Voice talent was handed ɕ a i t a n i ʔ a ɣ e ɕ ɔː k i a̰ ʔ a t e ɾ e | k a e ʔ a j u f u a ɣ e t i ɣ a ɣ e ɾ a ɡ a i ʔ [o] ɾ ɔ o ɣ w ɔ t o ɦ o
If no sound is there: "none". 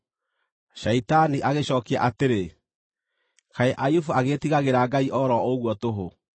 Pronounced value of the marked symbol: ɔ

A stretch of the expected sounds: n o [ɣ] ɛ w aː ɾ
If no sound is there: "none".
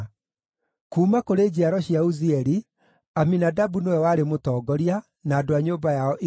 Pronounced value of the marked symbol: w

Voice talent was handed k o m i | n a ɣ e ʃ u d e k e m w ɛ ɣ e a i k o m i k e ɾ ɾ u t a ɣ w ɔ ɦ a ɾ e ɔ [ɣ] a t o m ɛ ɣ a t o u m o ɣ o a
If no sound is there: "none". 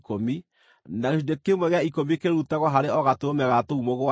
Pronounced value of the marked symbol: ɣ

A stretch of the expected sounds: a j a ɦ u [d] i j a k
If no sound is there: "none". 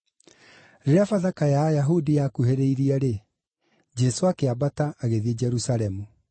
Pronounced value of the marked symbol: d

